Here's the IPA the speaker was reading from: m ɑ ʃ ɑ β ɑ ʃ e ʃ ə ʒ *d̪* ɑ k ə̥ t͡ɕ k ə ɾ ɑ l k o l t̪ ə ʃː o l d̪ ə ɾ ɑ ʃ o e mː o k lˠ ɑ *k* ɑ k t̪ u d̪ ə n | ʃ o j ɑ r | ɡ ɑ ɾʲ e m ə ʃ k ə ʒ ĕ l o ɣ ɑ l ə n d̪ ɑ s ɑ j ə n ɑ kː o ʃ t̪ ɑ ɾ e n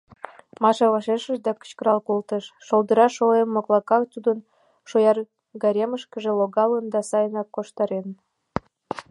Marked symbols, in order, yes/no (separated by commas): yes, yes